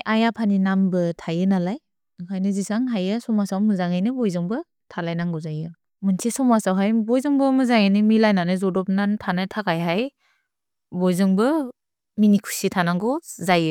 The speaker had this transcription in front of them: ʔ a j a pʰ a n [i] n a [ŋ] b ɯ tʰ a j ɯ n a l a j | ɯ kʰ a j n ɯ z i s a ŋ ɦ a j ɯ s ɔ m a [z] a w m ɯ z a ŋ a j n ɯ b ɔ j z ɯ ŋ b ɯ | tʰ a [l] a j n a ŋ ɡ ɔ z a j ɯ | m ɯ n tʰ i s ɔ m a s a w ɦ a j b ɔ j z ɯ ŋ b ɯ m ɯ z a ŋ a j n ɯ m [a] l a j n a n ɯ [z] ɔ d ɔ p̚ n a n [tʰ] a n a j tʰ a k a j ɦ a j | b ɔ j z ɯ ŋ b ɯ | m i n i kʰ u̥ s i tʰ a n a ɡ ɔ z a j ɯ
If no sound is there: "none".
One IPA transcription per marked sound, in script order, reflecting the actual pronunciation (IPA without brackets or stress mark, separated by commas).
i, m, s, l, i, z, tʰ